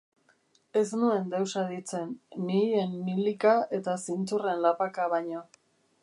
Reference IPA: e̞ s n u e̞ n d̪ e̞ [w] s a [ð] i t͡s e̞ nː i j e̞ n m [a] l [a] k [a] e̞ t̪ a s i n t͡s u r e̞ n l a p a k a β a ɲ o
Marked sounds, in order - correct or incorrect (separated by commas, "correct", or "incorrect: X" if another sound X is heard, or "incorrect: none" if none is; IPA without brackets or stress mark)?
correct, correct, incorrect: i, incorrect: i, correct